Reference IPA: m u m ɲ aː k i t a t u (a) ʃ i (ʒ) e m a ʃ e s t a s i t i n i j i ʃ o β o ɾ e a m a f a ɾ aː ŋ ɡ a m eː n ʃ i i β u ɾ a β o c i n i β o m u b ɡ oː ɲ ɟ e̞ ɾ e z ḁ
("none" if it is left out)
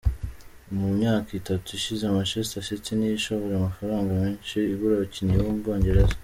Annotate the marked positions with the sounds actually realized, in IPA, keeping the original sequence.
i, z

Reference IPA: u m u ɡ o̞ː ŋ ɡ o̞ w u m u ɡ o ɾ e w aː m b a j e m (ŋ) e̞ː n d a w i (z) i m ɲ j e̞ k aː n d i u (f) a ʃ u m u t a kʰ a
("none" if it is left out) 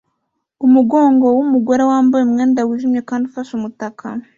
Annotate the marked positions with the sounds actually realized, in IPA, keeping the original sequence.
ŋ, ʒ, f

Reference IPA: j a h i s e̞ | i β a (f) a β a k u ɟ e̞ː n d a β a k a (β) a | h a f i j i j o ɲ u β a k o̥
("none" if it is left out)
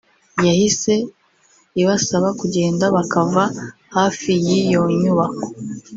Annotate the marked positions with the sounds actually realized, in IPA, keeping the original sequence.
s, v

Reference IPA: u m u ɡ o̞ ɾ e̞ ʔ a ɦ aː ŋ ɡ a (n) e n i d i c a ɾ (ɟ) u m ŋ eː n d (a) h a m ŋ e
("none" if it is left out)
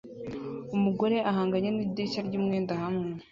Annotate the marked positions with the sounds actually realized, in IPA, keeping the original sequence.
ɲ, ɟ, a

